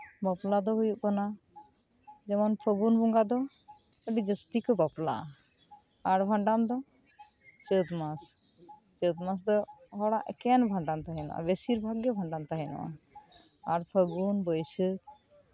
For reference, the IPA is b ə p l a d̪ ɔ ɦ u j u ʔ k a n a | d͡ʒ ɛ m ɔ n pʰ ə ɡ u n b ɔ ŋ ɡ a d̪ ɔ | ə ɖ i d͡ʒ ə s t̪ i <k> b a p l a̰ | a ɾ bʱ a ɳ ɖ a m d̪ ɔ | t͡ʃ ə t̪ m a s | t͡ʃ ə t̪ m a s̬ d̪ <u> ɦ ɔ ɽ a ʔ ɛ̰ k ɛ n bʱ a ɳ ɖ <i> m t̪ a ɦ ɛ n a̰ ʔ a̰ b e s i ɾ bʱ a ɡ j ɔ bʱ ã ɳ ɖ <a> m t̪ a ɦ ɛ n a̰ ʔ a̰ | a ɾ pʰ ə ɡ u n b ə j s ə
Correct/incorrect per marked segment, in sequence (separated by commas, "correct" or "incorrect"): correct, incorrect, incorrect, correct